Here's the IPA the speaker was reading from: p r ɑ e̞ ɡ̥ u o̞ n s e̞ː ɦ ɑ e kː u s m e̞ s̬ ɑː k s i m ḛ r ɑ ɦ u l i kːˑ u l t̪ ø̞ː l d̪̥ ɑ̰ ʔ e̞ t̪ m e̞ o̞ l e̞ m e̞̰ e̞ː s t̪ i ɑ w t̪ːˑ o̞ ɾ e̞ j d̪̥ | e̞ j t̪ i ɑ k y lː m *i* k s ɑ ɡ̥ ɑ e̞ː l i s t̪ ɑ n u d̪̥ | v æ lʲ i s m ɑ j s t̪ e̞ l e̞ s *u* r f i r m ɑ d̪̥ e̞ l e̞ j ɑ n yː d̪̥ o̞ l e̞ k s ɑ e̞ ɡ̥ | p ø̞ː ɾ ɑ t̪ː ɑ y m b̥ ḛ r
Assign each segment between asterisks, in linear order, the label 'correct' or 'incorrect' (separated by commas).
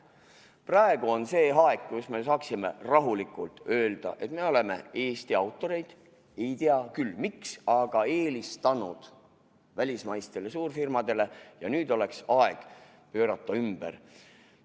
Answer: correct, incorrect